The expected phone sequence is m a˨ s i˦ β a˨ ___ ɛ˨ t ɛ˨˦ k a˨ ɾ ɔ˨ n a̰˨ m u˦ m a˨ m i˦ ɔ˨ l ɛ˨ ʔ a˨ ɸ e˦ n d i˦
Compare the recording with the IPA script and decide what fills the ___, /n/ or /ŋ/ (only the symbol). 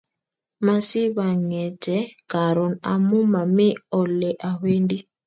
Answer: ŋ